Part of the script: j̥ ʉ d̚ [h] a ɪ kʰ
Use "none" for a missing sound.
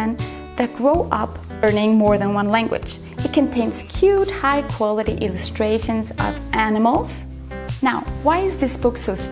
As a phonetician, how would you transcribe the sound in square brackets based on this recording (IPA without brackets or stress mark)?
h